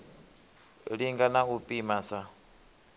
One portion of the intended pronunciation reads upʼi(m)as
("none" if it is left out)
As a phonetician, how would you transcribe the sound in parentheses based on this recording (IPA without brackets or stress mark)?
m